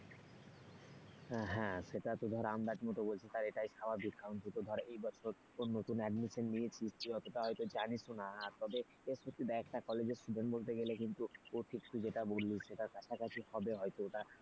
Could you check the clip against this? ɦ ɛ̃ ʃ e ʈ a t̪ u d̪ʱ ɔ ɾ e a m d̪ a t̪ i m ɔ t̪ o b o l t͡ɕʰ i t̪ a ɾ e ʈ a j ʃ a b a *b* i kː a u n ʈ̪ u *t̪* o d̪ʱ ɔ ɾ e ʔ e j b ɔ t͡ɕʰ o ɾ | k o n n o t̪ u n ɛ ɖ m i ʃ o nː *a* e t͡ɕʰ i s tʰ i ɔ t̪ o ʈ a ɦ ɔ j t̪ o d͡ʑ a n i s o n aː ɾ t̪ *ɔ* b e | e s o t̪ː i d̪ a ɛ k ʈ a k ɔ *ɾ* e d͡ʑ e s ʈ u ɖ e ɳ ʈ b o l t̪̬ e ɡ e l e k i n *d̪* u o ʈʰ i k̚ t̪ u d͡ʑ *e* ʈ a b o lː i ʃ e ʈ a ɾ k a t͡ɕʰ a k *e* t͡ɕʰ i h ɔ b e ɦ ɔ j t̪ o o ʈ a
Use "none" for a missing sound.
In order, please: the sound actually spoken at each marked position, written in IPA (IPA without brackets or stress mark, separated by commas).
b, t̪, i, ɔ, l, t̪, e, a